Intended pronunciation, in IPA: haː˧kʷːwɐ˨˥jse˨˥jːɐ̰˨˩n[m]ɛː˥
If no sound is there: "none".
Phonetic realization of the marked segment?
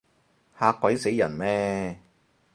m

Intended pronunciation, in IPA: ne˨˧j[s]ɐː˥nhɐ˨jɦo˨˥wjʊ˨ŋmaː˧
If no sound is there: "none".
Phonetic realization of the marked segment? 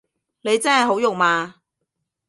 t͡s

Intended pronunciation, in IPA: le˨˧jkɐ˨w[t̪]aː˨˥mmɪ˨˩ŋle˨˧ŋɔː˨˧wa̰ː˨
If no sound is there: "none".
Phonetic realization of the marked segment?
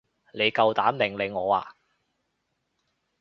t̪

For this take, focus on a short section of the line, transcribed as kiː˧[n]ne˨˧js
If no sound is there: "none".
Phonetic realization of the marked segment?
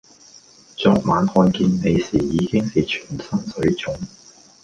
n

